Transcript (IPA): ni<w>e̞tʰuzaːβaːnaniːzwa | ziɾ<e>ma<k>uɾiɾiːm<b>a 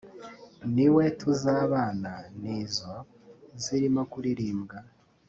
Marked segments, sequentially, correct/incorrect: correct, incorrect, correct, incorrect

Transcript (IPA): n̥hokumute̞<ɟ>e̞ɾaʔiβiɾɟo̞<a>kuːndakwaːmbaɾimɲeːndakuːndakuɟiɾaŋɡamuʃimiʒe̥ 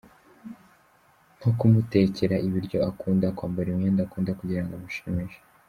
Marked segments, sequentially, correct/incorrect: incorrect, correct

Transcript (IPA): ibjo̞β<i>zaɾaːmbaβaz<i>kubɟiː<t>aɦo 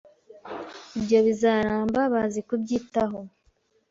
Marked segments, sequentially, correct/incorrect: correct, correct, correct

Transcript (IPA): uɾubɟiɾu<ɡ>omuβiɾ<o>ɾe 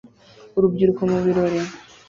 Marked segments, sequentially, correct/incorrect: incorrect, correct

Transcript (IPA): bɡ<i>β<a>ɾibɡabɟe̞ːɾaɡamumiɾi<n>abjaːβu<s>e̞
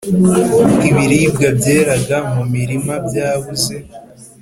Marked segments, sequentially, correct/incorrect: correct, incorrect, incorrect, incorrect

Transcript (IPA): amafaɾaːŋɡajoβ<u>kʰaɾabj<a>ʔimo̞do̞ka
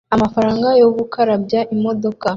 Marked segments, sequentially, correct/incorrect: correct, correct

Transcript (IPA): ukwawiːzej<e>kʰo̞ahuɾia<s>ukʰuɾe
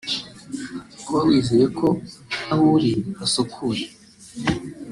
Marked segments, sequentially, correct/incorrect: correct, correct

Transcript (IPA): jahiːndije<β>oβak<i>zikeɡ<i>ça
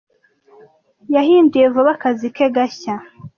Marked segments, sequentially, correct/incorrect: incorrect, incorrect, incorrect

